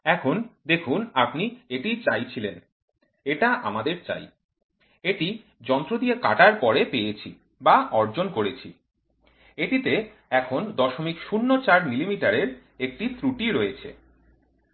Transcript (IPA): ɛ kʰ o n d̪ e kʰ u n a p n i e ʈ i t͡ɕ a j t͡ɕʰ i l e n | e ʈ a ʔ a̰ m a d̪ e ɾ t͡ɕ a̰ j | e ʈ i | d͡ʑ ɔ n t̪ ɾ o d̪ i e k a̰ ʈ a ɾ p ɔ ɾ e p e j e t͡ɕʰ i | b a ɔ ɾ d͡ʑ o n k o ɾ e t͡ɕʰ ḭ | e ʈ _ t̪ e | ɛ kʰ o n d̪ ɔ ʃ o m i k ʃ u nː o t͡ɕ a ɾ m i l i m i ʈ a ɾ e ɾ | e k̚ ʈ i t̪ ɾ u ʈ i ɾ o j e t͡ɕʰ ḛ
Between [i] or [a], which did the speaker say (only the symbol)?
i